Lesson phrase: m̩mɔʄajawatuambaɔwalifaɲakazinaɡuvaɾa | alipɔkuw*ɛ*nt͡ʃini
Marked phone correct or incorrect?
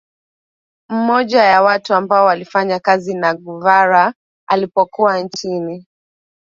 incorrect